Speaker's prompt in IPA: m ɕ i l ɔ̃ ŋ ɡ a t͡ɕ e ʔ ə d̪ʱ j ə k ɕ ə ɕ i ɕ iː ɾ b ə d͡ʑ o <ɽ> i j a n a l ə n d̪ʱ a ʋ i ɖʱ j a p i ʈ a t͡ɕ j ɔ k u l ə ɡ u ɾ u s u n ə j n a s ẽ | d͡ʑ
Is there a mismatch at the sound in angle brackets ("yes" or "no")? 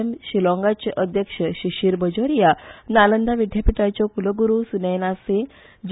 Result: yes